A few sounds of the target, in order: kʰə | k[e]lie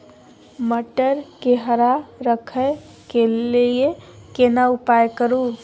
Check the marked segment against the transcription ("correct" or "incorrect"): correct